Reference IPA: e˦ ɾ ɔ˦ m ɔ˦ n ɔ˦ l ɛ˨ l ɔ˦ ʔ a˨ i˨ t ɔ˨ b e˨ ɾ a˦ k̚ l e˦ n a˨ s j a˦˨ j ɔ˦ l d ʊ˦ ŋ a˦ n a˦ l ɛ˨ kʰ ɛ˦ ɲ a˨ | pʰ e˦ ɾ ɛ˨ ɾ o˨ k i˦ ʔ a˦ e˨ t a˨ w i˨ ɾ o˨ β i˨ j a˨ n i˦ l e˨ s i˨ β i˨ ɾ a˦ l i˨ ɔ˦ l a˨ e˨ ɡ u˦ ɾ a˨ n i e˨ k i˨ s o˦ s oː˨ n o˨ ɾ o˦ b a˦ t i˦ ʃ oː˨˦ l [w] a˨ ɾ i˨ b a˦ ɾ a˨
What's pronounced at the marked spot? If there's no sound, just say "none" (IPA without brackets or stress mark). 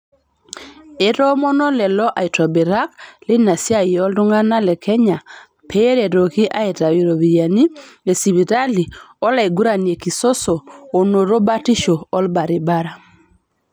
b